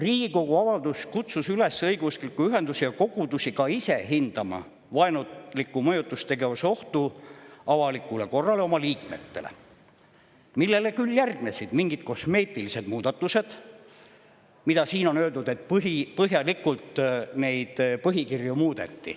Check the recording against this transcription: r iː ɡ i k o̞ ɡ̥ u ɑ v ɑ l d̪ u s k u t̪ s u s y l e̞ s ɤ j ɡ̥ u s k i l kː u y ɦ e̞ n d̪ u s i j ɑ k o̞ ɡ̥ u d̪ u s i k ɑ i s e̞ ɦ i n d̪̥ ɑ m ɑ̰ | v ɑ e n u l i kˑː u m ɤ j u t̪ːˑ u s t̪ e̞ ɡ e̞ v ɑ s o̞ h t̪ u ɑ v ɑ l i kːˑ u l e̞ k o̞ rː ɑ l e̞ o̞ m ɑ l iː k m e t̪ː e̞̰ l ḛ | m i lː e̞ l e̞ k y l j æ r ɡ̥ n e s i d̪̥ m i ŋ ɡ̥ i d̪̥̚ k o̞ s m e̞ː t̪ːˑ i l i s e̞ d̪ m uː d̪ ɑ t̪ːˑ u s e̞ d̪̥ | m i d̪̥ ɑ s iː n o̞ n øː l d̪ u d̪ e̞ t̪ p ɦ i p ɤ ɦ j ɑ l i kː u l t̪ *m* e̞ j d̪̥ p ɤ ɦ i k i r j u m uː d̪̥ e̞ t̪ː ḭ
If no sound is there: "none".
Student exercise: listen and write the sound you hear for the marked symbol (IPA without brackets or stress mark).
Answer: n